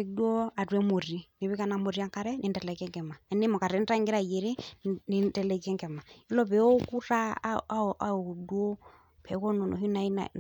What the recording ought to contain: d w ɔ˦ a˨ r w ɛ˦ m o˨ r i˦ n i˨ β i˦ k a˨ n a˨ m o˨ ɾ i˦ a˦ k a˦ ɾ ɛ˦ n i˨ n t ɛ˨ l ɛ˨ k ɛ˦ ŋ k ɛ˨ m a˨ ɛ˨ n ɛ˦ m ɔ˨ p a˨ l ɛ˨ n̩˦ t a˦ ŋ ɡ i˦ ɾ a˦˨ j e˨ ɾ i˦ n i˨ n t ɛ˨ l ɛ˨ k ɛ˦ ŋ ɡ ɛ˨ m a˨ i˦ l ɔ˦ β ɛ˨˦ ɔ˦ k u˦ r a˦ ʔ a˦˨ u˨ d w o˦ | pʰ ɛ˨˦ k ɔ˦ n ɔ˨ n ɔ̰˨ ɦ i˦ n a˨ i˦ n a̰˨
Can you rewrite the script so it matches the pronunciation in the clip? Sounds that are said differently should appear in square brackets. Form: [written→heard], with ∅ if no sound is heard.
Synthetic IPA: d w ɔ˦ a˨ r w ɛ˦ m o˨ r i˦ n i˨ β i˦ k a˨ n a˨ m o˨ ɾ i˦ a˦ k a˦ ɾ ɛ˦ n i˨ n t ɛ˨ l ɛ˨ k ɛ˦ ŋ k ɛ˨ m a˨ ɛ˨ n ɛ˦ m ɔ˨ [p→k] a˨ [l→ɾ] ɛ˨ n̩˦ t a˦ ŋ ɡ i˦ ɾ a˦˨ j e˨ ɾ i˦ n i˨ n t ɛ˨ l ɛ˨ k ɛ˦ ŋ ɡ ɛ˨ m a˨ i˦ l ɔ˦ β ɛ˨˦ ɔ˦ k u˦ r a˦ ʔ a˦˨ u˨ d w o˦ | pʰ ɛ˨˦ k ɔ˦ n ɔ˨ n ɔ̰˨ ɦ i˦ n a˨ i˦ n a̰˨